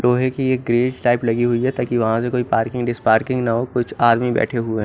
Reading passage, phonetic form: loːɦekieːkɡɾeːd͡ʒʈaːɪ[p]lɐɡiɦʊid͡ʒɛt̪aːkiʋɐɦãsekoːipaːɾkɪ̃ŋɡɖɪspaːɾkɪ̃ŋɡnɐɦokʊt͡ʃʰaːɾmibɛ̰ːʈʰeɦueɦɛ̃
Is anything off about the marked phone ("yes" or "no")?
no